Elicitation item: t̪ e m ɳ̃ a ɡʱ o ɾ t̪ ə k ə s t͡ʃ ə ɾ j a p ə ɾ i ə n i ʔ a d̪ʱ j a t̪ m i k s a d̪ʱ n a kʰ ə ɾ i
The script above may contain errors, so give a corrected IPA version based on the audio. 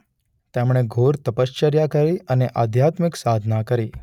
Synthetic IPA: t̪ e m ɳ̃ e ɡʱ o ɾ t̪ ə p ə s t͡ʃ ə ɾ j a k ə ɾ i ə n e ʔ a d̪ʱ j a t̪ m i k s a d̪ʱ n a k ə ɾ i